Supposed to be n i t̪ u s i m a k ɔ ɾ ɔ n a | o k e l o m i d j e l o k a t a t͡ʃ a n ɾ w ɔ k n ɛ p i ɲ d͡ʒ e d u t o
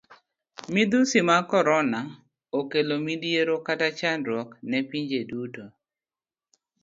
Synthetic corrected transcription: m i d̪ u s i m a k ɔ ɾ ɔ n a | o k e l o m i d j e ɾ o k a t a t͡ʃ a n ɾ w ɔ k n ɛ p i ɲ d͡ʒ e d u t o

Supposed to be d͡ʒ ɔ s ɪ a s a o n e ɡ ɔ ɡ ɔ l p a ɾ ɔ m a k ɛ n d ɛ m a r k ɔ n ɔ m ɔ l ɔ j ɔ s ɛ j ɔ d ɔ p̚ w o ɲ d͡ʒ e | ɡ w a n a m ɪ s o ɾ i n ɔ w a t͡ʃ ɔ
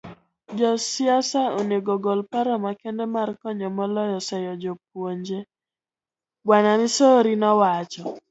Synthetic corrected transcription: d͡ʒ ɔ s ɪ a s a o n e ɡ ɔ ɡ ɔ l p a ɾ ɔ m a k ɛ n d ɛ m a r k ɔ ɲ ɔ m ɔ l ɔ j ɔ s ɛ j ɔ d͡ʒ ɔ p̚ w o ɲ d͡ʒ e | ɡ w a n a m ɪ s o ɾ i n ɔ w a t͡ʃ ɔ

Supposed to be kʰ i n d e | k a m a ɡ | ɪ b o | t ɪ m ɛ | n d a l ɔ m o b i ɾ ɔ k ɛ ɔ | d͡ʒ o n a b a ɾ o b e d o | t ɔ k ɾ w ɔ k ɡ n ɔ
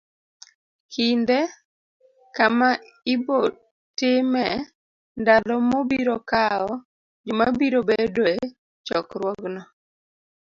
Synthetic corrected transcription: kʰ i n d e | k a m a | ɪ b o | t ɪ m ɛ | n d a l ɔ m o b i ɾ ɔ k a ɔ | d͡ʒ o m a b i ɾ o b e d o | t͡ʃ ɔ k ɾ w ɔ ɡ n ɔ

